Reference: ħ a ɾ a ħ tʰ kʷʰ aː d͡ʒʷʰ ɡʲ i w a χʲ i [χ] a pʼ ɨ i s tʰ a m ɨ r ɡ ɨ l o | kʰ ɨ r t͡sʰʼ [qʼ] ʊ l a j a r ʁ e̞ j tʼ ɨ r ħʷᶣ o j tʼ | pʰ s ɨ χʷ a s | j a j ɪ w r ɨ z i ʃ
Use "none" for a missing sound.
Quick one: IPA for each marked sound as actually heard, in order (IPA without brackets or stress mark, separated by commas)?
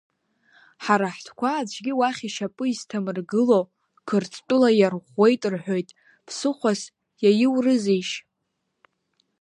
ʃ, tʼ